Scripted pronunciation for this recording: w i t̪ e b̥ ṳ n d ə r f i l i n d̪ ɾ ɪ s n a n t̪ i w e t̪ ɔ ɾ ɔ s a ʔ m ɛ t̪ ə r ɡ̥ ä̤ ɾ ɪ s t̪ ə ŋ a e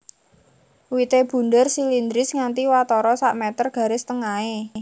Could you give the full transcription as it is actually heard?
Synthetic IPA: w i t̪ e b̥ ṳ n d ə r s i l i n d̪ ɾ ɪ s ŋ a n t̪ i w a t̪ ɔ ɾ ɔ s a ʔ m ɛ t̪ ə r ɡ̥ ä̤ ɾ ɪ s t̪ ə ŋ a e